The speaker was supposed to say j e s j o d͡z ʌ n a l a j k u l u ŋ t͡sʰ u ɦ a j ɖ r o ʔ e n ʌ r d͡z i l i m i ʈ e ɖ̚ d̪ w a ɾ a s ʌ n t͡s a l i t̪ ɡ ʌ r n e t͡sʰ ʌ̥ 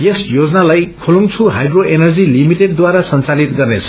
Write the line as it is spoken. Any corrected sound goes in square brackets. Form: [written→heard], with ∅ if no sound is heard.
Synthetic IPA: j e s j o d͡z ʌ n a l a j [k→kʰ] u l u ŋ t͡sʰ u ɦ a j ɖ r o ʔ e n ʌ r d͡z i l i m i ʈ e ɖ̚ d̪ w a ɾ a s ʌ n t͡s a l i t̪ ɡ ʌ r n e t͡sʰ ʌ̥